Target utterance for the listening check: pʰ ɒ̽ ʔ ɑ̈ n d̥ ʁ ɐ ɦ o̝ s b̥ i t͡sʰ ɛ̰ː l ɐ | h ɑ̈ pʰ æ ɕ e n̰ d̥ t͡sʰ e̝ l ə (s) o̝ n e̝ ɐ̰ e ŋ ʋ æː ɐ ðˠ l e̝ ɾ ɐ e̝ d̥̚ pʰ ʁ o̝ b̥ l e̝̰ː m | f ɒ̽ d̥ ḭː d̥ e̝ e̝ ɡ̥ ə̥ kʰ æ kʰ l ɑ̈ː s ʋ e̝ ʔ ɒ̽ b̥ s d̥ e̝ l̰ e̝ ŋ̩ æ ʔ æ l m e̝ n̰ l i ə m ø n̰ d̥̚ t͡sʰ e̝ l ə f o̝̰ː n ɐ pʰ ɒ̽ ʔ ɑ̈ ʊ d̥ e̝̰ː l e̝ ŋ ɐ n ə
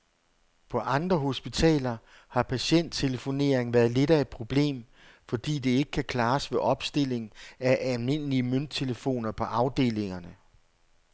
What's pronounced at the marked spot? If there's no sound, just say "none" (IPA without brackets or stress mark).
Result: f